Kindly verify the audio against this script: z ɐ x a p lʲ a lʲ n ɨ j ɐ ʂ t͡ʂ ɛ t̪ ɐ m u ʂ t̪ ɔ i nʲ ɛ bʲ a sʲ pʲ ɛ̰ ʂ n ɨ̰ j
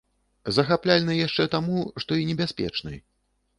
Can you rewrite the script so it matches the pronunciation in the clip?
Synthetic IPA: z ɐ x a p lʲ a lʲ n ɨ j a ʂ t͡ʂ ɛ t̪ a m u ʂ t̪ ɔ i nʲ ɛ bʲ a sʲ pʲ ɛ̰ t͡ʂ n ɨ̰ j